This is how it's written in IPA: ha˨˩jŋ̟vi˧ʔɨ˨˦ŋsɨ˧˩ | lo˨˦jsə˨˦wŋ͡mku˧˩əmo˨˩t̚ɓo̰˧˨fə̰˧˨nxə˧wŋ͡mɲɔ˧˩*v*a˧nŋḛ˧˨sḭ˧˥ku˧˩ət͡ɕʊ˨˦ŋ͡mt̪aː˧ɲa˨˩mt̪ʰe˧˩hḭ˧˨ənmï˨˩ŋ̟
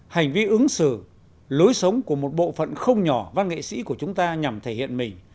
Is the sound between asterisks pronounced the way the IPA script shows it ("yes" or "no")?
yes